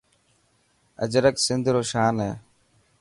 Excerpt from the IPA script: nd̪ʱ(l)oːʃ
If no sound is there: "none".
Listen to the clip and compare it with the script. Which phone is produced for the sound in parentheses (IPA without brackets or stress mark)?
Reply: ɾ